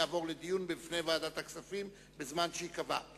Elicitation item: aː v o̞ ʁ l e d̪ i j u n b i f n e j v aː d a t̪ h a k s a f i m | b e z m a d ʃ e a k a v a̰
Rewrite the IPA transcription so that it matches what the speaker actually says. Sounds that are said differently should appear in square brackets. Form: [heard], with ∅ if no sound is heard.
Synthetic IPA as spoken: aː v o̞ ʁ l e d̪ i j u n b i f n e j v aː d a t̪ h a k s a f i m | b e z m a [n] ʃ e [i] k a v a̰